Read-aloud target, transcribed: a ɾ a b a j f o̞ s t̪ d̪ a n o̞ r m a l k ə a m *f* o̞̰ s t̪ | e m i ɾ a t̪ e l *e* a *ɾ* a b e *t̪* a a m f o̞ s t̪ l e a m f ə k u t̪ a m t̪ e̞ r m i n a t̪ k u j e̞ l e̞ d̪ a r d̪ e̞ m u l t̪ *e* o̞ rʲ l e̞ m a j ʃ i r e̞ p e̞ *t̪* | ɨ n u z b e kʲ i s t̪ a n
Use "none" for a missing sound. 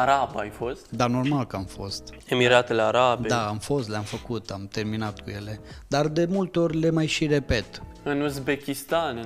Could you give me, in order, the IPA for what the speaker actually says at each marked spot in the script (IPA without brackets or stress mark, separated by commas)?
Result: f, e, ɾ, d̪, e, t̪